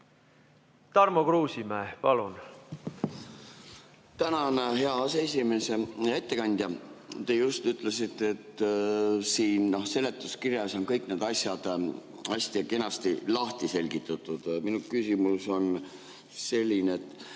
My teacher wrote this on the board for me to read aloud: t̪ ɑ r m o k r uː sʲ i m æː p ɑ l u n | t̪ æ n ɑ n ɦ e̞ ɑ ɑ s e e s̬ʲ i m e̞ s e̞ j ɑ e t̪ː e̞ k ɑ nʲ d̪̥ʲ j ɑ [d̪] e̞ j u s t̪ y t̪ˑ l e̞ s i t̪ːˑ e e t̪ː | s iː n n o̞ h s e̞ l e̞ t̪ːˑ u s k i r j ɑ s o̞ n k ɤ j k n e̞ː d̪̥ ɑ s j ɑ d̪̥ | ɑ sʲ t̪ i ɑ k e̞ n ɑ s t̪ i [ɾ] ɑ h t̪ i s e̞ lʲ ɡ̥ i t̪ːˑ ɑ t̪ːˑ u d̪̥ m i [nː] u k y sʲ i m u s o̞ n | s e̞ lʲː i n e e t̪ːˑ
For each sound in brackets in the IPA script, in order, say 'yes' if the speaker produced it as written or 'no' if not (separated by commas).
no, no, no